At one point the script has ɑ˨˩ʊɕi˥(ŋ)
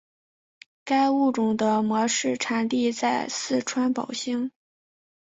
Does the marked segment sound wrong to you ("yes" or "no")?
no